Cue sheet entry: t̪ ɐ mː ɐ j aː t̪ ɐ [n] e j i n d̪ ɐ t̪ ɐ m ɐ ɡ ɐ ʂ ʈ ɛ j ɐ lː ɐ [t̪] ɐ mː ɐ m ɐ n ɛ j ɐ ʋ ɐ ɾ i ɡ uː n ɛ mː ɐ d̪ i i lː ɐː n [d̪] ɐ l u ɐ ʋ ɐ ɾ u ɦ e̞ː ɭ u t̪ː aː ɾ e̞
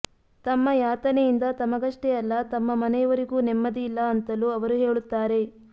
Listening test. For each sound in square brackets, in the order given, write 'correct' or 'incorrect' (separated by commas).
correct, correct, incorrect